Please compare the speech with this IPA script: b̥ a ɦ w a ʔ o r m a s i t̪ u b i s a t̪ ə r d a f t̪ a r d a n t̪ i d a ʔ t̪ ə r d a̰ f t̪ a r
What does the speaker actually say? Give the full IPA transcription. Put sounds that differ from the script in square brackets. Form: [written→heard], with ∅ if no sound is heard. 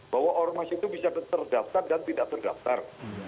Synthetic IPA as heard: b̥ a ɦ w a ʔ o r m a s i t̪ u b i s a t̪ ə r d a f t̪ a r d a n t̪ i d a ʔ t̪ ə r d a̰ f t̪ a r